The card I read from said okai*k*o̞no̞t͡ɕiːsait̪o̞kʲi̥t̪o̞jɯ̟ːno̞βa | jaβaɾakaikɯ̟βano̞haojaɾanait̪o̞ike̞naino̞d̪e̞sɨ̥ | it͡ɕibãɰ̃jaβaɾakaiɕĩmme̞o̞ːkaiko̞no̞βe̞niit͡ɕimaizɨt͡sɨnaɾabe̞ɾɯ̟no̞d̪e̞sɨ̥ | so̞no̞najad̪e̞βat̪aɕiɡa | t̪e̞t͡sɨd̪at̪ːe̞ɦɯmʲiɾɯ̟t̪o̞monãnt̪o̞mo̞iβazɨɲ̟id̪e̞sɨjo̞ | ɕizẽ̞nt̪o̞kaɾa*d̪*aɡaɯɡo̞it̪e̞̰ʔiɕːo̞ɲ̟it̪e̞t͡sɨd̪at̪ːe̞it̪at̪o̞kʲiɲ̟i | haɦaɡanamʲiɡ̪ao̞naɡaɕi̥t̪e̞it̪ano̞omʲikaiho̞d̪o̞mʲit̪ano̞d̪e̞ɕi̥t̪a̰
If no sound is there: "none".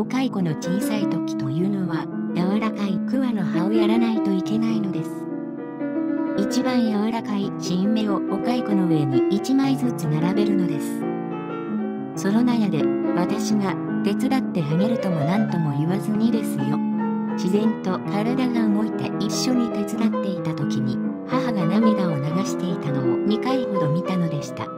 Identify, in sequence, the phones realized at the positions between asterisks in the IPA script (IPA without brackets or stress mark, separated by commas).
k, d̪